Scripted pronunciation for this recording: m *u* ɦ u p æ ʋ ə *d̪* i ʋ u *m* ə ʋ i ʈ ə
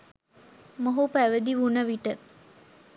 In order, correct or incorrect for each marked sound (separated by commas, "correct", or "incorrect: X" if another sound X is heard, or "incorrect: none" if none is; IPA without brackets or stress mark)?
incorrect: o, correct, incorrect: n